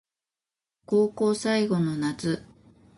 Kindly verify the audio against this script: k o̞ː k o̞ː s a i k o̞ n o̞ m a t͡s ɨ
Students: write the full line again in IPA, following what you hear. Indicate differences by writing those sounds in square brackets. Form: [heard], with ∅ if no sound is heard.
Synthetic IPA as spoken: k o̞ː k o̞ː s a i [ɡ] o̞ n o̞ [n] a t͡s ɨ